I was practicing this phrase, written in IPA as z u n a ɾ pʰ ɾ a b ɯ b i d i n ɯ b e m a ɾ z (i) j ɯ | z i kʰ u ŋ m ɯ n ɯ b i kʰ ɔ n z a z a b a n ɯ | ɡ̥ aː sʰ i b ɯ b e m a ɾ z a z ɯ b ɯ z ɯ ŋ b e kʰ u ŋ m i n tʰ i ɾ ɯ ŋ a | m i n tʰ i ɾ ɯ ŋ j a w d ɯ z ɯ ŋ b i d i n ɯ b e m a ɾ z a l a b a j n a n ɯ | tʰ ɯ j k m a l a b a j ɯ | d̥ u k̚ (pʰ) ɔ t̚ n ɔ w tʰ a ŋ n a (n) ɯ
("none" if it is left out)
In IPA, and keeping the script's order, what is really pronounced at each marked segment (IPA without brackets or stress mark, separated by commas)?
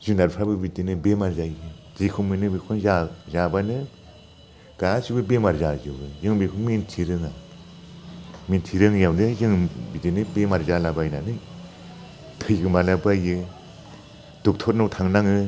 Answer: a, tʰ, ŋ